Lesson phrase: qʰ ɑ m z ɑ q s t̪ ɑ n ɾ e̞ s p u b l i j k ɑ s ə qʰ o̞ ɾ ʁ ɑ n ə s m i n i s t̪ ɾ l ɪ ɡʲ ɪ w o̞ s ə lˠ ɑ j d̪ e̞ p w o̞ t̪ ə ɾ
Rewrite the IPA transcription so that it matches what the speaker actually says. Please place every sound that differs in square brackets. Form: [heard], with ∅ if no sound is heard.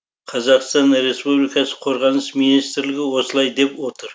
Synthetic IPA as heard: qʰ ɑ [∅] z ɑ q s t̪ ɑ n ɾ e̞ s p u b l i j k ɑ s ə qʰ o̞ ɾ ʁ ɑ n ə s m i n i s t̪ ɾ l ɪ ɡʲ ɪ w o̞ s ə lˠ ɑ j d̪ e̞ p w o̞ t̪ ə ɾ